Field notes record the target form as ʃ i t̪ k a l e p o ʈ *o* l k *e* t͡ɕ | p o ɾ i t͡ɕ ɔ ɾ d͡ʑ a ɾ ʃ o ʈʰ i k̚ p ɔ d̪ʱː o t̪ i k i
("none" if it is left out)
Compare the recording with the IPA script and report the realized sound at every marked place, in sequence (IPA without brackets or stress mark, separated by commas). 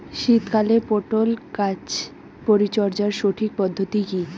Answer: o, a